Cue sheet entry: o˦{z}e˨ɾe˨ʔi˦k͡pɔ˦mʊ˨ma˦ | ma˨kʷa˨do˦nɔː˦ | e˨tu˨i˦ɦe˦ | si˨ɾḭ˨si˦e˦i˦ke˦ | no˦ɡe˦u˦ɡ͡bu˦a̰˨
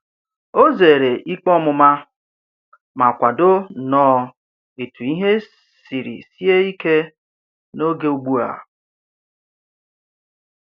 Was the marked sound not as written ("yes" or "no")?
no